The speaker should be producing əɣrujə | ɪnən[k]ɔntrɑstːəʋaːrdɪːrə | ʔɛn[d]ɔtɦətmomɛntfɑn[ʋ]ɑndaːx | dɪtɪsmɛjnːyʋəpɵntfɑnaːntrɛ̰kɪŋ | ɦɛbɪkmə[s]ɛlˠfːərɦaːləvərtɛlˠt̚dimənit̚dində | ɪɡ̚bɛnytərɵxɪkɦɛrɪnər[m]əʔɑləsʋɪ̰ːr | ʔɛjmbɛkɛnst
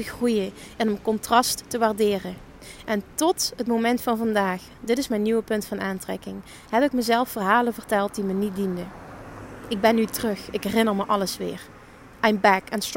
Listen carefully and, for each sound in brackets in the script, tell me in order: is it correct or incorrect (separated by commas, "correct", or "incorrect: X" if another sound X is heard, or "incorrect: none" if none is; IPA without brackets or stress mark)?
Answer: correct, incorrect: t, incorrect: v, incorrect: z, correct